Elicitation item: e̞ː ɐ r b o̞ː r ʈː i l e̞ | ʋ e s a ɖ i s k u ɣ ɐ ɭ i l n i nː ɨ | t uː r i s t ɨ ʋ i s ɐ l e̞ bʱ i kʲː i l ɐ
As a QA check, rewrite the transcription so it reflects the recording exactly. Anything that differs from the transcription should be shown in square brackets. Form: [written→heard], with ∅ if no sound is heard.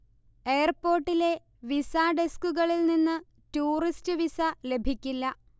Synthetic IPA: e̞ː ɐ r [b→p] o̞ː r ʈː i l e̞ | ʋ [e→i] s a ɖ [i→e] s k u ɣ ɐ ɭ i l n i nː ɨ | t uː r i s t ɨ ʋ i s ɐ l e̞ bʱ i kʲː i [l→lː] ɐ